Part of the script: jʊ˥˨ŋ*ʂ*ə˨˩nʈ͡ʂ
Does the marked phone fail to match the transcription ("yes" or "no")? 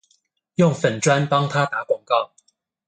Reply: yes